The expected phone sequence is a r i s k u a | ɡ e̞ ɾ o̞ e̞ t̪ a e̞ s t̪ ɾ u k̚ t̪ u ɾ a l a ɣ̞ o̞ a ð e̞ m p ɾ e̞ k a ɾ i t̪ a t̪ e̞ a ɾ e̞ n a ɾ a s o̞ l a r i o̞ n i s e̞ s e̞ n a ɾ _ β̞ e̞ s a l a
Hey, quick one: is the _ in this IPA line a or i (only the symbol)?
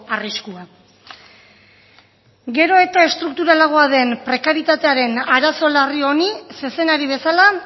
i